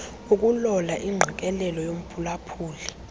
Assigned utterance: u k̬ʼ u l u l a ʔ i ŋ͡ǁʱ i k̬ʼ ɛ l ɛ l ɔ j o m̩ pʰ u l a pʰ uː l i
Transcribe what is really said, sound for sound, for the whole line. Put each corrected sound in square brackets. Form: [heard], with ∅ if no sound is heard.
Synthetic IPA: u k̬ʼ u l [ɔ] l a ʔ i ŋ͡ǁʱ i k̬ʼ ɛ l ɛ l ɔ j o m̩ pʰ u l a pʰ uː l i

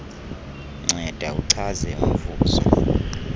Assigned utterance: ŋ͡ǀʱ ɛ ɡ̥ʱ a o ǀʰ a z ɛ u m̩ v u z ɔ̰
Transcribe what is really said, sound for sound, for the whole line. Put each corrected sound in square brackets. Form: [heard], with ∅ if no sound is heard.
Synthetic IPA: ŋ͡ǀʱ ɛ [d̥ʱ] a [u] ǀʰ a z ɛ u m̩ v [uː] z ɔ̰

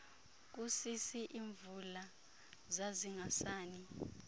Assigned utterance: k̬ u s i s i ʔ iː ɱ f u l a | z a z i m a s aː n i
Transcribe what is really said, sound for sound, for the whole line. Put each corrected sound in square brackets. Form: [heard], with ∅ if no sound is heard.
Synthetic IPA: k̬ u s i s i ʔ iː ɱ [v] u l a | z a z i [ŋ] a s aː n i

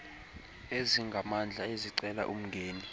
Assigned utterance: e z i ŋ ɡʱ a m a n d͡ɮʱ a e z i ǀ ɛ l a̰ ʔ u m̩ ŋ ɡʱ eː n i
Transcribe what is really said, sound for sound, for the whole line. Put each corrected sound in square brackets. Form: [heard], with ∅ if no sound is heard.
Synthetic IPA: e z i ŋ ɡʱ a m a n d͡ɮʱ a e z i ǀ ɛ l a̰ ʔ u m̩ ŋ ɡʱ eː n i

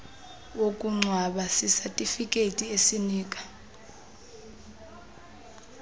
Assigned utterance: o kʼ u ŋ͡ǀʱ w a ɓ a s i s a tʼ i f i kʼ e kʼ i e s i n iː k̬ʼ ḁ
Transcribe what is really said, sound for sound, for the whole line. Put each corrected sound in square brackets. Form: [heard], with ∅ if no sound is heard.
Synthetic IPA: o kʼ u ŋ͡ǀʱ w a ɓ a s i s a tʼ i f i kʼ e [tʼ] i e s i n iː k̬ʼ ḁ

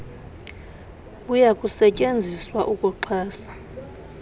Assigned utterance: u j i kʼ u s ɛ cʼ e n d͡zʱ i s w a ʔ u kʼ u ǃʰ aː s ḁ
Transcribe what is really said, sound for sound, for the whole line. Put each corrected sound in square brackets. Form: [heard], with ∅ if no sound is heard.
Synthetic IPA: u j [a] kʼ u s ɛ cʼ e n d͡zʱ i s w a ʔ u kʼ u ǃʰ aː s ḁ

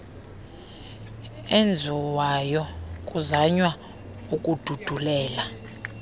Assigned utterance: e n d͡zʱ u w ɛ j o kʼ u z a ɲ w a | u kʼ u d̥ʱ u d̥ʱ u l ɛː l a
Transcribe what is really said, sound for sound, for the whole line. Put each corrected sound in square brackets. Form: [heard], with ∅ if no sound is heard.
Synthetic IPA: e n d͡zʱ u w [a] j [ɔ] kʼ u z a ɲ w a | u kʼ u d̥ʱ u d̥ʱ u l ɛː l a

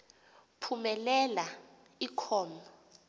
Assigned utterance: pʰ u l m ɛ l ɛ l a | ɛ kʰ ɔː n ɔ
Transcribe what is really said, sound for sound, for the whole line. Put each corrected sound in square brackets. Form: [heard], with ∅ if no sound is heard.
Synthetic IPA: pʰ u [∅] m ɛ l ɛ l a | [i] kʰ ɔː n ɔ

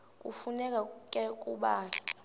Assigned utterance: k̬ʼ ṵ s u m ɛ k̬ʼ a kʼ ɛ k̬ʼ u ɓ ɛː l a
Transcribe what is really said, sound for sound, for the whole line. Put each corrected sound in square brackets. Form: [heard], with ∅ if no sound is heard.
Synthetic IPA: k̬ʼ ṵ [f] u [n] ɛ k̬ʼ a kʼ ɛ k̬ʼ u ɓ [aː] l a

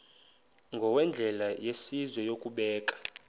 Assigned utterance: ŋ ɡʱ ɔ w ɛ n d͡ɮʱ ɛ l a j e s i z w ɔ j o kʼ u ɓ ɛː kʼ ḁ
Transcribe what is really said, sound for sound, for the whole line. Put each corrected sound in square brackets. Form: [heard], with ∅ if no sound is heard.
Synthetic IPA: ŋ ɡʱ ɔ w ɛ n d͡ɮʱ ɛ l a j e s i z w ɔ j o kʼ u ɓ ɛː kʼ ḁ

